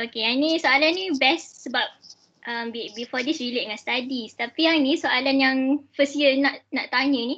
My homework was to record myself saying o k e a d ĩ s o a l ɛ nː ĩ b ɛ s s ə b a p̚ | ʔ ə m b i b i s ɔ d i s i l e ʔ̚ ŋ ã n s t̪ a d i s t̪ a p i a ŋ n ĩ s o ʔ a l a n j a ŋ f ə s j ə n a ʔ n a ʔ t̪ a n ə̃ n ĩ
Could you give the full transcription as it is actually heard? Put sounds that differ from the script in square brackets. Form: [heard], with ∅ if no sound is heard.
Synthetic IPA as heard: o k e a [n] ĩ s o a l [a] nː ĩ b ɛ s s ə b a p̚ | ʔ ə m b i b i [f] ɔ d i s i l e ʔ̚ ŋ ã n s t̪ a d i s t̪ a p i a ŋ n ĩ s o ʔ a l a n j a ŋ f ə s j ə n a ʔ n a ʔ t̪ a [ɲ] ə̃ n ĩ